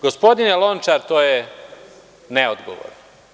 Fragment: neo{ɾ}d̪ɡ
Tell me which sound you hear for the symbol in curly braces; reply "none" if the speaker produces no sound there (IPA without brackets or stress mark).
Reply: none